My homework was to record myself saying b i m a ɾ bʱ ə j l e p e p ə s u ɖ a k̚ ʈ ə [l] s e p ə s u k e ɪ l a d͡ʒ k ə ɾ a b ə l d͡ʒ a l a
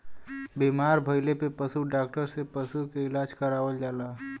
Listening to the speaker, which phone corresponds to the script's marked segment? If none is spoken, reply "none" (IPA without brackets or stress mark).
ɾ